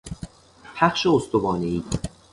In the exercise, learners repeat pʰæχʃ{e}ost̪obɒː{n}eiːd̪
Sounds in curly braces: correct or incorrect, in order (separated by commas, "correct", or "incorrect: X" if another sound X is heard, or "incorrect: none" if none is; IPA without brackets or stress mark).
correct, correct